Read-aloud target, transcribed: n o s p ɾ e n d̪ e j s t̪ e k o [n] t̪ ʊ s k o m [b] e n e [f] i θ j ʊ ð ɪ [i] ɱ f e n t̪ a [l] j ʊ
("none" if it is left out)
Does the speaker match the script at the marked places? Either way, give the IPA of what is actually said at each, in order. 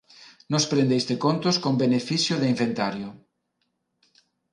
n, b, f, i, ɾ

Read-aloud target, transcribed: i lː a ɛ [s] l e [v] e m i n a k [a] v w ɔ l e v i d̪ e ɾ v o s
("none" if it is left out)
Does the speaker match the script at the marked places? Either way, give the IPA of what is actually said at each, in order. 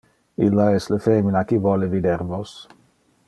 s, f, i

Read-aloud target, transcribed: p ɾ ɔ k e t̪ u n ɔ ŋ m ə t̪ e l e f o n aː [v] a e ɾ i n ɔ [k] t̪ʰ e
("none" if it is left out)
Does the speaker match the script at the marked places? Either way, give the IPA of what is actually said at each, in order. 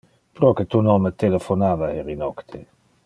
v, k

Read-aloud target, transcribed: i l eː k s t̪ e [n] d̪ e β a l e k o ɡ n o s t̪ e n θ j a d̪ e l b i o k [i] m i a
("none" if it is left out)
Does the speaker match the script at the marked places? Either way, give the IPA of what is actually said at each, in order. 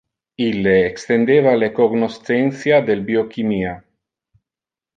n, i

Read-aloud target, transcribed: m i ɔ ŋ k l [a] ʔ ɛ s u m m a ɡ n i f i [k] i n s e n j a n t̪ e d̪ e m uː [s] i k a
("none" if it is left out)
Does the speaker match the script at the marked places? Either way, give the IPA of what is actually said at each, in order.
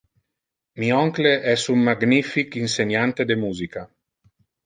e, k, z

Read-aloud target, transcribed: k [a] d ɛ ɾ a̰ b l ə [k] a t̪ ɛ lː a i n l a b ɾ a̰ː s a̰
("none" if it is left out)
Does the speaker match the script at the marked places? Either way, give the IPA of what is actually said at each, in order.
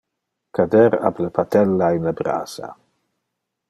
a, p

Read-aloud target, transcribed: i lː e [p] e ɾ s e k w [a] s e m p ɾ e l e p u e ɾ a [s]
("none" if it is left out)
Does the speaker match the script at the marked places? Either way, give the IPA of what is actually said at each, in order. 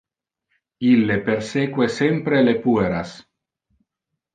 p, e, s

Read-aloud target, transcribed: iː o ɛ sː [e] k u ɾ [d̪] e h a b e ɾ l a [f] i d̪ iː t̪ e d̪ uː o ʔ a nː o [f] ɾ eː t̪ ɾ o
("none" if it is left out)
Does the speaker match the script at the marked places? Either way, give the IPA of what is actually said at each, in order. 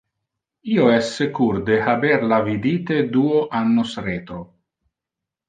e, d̪, v, s

